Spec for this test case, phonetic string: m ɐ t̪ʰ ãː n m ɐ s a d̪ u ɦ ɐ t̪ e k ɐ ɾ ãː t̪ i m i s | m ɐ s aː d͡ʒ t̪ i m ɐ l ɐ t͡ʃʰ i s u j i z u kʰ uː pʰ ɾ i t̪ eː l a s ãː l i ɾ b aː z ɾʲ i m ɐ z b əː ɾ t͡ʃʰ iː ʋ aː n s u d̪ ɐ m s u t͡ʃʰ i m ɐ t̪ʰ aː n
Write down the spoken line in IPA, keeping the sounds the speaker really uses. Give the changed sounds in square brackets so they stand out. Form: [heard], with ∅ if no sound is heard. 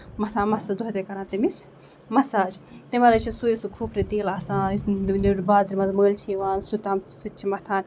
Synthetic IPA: m ɐ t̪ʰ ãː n m ɐ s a d̪ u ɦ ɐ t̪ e k ɐ ɾ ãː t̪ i m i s | m ɐ s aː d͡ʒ t̪ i m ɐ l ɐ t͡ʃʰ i s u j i [s] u kʰ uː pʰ ɾ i t̪ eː l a s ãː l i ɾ b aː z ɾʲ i m ɐ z [m] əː [l] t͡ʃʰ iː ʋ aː n s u [t̪] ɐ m s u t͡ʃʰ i m ɐ t̪ʰ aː n